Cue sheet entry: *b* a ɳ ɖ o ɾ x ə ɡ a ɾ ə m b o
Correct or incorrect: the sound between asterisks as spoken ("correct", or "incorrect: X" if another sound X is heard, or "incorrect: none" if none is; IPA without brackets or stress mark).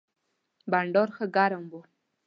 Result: correct